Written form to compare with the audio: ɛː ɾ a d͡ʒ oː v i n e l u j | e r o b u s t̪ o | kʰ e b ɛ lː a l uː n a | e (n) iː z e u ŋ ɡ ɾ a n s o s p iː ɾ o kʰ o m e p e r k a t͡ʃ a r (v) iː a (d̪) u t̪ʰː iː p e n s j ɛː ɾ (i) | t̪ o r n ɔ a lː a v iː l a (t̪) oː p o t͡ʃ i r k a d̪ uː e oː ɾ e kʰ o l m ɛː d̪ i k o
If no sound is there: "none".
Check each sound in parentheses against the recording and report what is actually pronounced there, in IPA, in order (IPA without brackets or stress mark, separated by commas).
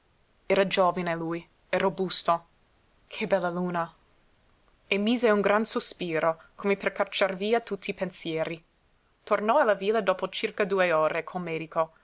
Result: m, v, t̪, i, d̪